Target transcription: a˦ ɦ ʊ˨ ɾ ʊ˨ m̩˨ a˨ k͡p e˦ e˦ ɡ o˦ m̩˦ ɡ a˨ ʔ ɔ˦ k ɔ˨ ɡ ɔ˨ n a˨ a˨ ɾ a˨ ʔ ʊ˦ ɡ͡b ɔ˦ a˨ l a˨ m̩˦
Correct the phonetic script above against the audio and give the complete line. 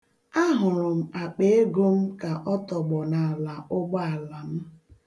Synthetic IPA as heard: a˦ ɦ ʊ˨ ɾ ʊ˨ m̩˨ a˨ k͡p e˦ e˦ ɡ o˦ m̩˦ k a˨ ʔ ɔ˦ t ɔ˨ ɡ͡b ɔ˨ n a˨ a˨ l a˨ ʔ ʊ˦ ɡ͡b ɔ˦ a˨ l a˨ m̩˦